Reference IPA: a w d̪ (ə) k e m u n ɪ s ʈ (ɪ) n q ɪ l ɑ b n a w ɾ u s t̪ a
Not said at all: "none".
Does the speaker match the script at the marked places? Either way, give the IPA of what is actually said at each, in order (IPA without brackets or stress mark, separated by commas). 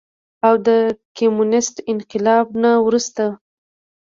ə, ɪ